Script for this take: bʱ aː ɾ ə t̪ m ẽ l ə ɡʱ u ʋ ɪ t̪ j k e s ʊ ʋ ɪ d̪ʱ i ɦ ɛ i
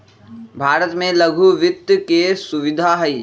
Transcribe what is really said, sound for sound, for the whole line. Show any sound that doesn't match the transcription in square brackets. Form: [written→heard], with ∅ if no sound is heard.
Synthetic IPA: bʱ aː ɾ ə t̪ m ẽ l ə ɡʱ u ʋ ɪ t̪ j k e s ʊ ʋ ɪ d̪ʱ [i→a] ɦ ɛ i